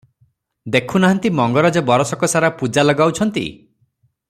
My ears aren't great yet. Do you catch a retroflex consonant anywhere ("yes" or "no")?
no